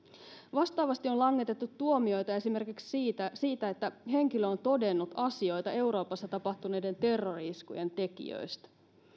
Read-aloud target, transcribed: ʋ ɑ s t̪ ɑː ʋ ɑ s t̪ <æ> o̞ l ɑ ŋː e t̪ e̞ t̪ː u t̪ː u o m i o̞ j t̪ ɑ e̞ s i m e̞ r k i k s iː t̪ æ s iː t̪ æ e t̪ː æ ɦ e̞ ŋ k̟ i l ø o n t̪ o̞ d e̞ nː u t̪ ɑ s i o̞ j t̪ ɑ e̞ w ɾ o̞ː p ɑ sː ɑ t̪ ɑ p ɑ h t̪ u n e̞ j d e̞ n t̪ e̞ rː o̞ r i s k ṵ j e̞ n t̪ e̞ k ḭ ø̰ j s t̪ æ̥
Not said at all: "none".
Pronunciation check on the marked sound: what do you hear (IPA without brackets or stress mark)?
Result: i